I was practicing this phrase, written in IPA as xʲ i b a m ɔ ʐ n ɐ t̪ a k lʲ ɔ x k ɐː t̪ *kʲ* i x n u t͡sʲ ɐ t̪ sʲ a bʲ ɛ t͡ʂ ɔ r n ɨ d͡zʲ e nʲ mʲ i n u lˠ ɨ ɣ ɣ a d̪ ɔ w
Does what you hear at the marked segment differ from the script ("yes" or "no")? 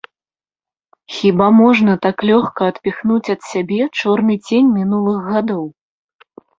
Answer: yes